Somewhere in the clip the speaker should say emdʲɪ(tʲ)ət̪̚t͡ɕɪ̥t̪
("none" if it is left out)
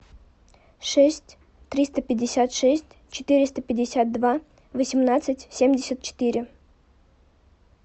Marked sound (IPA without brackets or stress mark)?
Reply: sʲ